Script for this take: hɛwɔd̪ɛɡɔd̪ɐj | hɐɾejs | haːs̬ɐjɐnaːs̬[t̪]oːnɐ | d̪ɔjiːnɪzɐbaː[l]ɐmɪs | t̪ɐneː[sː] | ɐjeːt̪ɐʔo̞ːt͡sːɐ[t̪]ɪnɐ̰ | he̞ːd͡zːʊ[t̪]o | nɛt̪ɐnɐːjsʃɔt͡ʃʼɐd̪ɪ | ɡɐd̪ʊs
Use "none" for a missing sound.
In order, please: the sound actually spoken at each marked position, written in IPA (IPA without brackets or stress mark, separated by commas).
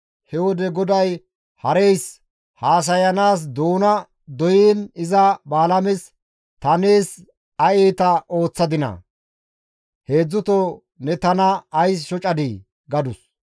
d̪, l, s, d̪, t̪